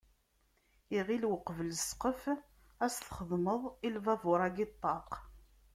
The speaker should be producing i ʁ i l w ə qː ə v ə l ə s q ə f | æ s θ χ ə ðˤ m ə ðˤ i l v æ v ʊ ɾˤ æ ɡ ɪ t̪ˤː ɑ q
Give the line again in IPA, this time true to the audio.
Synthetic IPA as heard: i ʁ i l w ə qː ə v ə l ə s q ə f | æ s θ χ ə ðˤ m ə ðˤ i l v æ v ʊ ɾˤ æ ɡ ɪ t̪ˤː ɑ q